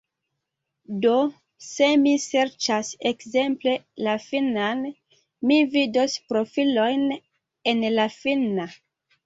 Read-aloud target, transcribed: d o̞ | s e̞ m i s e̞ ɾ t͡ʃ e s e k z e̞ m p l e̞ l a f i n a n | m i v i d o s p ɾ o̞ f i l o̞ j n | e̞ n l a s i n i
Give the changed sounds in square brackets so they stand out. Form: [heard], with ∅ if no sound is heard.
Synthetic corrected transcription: d o̞ | s e̞ m i s e̞ ɾ t͡ʃ [a] s e k z e̞ m p l e̞ l a f i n a n | m i v i d o s p ɾ o̞ f i l o̞ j n | e̞ n l a [f] i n [a]

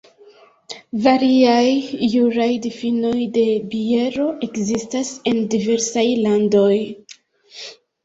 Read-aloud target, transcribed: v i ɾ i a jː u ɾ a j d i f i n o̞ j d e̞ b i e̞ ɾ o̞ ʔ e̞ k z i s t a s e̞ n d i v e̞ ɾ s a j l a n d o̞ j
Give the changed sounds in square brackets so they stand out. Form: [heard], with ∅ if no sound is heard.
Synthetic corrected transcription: v [a] ɾ i a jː u ɾ a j d i f i n o̞ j d e̞ b i e̞ ɾ o̞ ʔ e̞ k z i s t a s e̞ n d i v e̞ ɾ s a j l a n d o̞ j

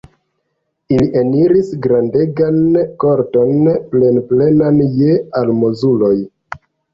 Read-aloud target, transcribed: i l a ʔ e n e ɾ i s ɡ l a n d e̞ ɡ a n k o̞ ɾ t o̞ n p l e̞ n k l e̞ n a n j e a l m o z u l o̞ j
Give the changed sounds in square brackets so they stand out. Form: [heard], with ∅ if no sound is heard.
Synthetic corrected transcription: i l [i] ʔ e n [i] ɾ i s ɡ [ɾ] a n d e̞ ɡ a n k o̞ ɾ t o̞ n p l e̞ n [p] l e̞ n a n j e a l m o z u l o̞ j

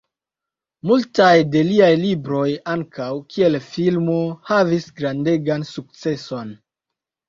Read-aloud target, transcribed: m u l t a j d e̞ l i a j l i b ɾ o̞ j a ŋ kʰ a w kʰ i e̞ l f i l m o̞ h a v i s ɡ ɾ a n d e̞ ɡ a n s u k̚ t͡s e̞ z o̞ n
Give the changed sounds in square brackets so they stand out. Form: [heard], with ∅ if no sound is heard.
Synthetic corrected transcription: m u l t a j d e̞ l i a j l i b ɾ o̞ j a ŋ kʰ a w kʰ i e̞ l f i l m o̞ h a v i s ɡ ɾ a n d e̞ ɡ a n s u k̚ t͡s e̞ [s] o̞ n

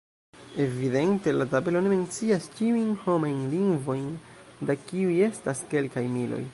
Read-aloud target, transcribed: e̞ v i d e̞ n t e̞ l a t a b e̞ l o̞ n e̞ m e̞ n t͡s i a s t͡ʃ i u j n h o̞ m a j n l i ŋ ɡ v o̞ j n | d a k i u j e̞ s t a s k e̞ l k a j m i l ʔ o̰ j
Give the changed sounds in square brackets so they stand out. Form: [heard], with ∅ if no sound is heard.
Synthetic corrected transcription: e̞ v i d e̞ n t e̞ l a t a b e̞ l o̞ n e̞ m e̞ n t͡s i a s t͡ʃ i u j n h o̞ m a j n l i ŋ ɡ v o̞ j n | d a k i u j e̞ s t a s k e̞ l k a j m i l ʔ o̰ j

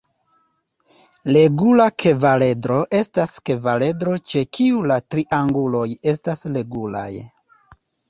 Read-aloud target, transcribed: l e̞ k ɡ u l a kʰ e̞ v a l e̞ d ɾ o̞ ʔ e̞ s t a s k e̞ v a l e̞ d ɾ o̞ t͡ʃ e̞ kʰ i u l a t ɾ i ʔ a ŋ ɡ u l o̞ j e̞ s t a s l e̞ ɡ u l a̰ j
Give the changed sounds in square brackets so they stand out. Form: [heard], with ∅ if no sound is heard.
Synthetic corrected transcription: l e̞ [∅] ɡ u l a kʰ e̞ v a l e̞ d ɾ o̞ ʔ e̞ s t a s k e̞ v a l e̞ d ɾ o̞ t͡ʃ e̞ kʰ i u l a t ɾ i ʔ a ŋ ɡ u l o̞ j e̞ s t a s l e̞ ɡ u l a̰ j

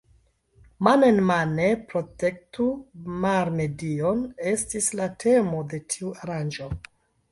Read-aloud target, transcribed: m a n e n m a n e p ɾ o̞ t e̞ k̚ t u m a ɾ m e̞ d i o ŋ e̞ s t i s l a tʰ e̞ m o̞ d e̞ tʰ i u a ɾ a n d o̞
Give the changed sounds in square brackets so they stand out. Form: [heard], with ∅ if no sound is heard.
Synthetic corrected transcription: m a n e n m a n e p ɾ o̞ t e̞ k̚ t u m a ɾ m e̞ d i o [n] e̞ s t i s l a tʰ e̞ m o̞ d e̞ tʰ i u a ɾ a n [d͡ʒ] o̞

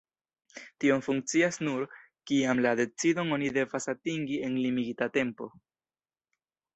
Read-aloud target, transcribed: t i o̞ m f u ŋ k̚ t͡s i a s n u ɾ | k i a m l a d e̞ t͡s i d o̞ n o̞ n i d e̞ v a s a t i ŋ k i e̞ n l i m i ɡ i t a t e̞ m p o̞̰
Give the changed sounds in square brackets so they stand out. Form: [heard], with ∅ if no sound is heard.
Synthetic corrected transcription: t i o̞ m f u ŋ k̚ t͡s i a s n u ɾ | k i a m l a d e̞ t͡s i d o̞ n o̞ n i d e̞ v a s a t i ŋ [ɡ] i e̞ n l i m i ɡ i t a t e̞ m p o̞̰

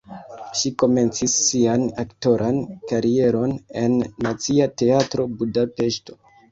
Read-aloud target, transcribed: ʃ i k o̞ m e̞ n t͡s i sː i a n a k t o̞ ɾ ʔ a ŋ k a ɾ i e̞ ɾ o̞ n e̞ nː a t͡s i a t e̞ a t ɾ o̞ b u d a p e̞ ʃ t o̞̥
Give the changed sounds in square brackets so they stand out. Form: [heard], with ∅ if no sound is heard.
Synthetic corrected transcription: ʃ i k o̞ m e̞ n t͡s i sː i a n a k t o̞ ɾ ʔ a [n] k a ɾ i e̞ ɾ o̞ n e̞ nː a t͡s i a t e̞ a t ɾ o̞ b u d a p e̞ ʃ t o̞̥

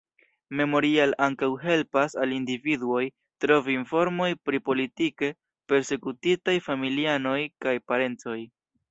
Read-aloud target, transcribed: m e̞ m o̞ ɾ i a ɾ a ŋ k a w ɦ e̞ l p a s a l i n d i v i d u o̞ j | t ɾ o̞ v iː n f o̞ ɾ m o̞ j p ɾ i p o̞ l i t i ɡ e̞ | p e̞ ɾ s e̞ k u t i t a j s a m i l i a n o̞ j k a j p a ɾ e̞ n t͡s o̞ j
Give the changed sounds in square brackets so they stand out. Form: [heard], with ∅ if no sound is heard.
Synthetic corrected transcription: m e̞ m o̞ ɾ i a [l] a ŋ k a w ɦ e̞ l p a s a l i n d i v i d u o̞ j | t ɾ o̞ v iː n f o̞ ɾ m o̞ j p ɾ i p o̞ l i t i [k] e̞ | p e̞ ɾ s e̞ k u t i t a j [f] a m i l i a n o̞ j k a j p a ɾ e̞ n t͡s o̞ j

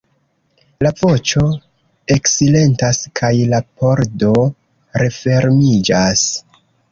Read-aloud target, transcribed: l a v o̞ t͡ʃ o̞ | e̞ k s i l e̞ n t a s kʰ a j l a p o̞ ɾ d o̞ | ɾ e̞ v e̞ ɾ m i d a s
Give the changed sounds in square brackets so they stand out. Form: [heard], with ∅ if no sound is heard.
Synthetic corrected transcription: l a v o̞ t͡ʃ o̞ | e̞ k s i l e̞ n t a s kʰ a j l a p o̞ ɾ d o̞ | ɾ e̞ [f] e̞ ɾ m i [d͡ʒ] a s

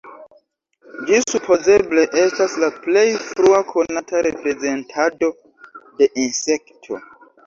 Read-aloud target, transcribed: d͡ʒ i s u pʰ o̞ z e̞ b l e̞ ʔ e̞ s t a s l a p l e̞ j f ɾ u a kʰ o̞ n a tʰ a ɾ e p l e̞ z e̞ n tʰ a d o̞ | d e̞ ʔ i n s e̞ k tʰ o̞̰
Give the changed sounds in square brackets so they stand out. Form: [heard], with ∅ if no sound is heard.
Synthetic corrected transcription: d͡ʒ i s u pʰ o̞ z e̞ b l e̞ ʔ e̞ s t a s l a p l e̞ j f ɾ u a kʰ o̞ n a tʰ a ɾ e p [ɾ] e̞ z e̞ n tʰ a d o̞ | d e̞ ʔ i n s e̞ k tʰ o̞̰

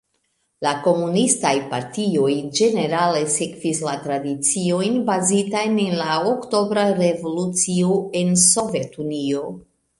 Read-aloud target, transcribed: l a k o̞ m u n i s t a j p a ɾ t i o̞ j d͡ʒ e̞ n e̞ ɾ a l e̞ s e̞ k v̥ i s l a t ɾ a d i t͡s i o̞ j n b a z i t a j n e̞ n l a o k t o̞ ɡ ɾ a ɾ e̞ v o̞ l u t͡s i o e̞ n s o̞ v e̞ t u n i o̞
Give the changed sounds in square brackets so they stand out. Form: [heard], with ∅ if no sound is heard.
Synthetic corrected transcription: l a k o̞ m u n i s t a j p a ɾ t i o̞ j d͡ʒ e̞ n e̞ ɾ a l e̞ s e̞ k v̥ i s l a t ɾ a d i t͡s i o̞ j n b a z i t a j n e̞ n l a o k t o̞ [b] ɾ a ɾ e̞ v o̞ l u t͡s i o e̞ n s o̞ v e̞ t u n i o̞

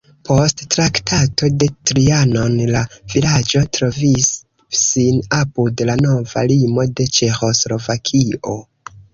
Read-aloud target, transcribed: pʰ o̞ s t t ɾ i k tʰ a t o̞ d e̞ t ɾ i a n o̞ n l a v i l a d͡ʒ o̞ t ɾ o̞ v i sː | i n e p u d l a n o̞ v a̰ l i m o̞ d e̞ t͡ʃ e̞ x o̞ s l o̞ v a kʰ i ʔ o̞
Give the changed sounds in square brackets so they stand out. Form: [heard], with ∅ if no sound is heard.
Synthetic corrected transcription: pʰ o̞ s t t ɾ [a] k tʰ a t o̞ d e̞ t ɾ i a n o̞ n l a v i l a d͡ʒ o̞ t ɾ o̞ v i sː | i n [a] p u d l a n o̞ v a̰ l i m o̞ d e̞ t͡ʃ e̞ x o̞ s l o̞ v a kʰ i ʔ o̞

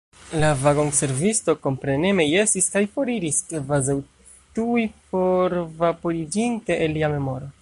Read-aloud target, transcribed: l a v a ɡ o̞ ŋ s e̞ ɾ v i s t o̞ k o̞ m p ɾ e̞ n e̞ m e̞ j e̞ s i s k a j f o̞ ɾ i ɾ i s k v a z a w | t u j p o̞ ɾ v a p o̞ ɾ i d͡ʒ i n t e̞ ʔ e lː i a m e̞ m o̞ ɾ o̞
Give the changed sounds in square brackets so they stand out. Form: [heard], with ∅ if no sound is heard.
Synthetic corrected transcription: l a v a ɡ o̞ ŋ s e̞ ɾ v i s t o̞ k o̞ m p ɾ e̞ n e̞ m e̞ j e̞ s i s k a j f o̞ ɾ i ɾ i s k v a z a w | t u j p o̞ ɾ v a p o̞ ɾ i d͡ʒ i n t e̞ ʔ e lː i a m e̞ m o̞ ɾ o̞

